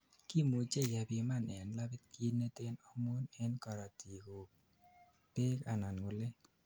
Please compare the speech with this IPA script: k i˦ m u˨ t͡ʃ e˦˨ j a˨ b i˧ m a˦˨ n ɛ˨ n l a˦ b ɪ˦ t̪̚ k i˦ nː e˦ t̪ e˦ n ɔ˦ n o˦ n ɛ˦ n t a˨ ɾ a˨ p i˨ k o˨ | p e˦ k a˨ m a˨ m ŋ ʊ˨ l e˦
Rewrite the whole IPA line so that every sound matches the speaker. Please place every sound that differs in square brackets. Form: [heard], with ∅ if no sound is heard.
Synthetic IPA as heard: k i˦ m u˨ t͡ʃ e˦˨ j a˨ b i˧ m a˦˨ n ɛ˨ n l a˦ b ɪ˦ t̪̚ k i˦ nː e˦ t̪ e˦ n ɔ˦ [m] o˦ n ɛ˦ n [k] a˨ ɾ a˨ [t] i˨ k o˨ | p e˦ k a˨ [n] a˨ [n] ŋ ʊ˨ l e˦

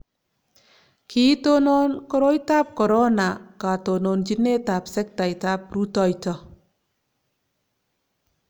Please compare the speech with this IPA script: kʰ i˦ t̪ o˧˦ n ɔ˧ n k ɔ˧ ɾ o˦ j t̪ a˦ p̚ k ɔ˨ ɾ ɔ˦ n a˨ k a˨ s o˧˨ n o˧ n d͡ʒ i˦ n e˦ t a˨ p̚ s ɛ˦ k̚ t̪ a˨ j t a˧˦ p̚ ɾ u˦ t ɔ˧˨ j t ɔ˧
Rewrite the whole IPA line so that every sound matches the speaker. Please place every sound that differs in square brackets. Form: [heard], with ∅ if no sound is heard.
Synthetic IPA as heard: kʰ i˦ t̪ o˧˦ n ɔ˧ n k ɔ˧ ɾ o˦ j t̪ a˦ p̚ k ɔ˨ ɾ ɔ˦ n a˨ k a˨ [t] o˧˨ n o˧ n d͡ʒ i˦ n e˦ t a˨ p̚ s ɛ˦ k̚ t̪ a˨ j t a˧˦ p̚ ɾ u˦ t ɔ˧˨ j t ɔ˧

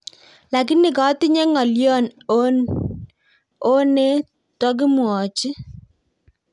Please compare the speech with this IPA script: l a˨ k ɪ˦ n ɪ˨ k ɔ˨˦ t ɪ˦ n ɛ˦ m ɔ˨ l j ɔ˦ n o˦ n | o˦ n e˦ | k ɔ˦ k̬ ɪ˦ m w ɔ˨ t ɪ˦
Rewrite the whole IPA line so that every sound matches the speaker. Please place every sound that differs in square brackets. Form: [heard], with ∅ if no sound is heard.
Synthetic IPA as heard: l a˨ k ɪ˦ n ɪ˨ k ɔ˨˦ t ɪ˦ [ɲ] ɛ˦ [ŋ] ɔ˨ l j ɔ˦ n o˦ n | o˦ n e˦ | [t] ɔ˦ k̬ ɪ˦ m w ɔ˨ [t͡ʃ] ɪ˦

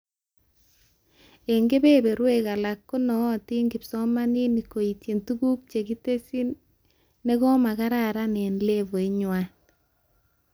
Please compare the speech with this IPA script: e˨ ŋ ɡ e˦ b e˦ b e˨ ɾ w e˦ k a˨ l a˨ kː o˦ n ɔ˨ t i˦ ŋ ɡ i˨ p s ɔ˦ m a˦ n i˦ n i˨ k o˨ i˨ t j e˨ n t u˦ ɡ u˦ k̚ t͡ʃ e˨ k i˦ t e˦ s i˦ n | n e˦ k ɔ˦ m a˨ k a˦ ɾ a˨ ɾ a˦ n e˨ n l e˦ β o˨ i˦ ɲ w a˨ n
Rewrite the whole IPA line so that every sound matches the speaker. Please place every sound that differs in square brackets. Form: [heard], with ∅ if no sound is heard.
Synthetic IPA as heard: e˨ ŋ ɡ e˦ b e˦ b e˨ ɾ w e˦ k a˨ l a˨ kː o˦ n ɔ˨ t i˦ ŋ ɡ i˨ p s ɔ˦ m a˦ n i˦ n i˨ k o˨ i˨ t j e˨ n t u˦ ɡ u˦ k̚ t͡ʃ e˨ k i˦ t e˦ s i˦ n | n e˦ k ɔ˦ m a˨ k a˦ ɾ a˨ ɾ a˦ n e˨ n l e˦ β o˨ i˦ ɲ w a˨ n

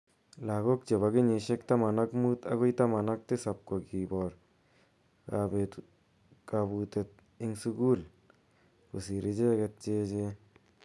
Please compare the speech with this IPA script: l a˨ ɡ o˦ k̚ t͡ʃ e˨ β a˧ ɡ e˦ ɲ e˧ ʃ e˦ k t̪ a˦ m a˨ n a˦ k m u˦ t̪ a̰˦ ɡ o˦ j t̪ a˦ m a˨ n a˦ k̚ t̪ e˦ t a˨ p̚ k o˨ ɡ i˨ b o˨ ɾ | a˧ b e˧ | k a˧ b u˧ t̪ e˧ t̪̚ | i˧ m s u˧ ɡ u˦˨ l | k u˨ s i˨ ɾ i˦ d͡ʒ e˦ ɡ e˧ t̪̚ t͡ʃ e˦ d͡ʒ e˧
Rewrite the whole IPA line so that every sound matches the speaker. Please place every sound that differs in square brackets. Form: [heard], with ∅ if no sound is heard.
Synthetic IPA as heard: l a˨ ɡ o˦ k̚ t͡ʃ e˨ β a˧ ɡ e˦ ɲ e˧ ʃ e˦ k t̪ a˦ m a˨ n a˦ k m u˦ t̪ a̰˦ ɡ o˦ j t̪ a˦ m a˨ n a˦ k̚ t̪ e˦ [s] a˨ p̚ k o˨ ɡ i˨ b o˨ ɾ | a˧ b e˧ | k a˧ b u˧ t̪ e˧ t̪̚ | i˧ [ŋ] s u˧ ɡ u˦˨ l | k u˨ s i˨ ɾ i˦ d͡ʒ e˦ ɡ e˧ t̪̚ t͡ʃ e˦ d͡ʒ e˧

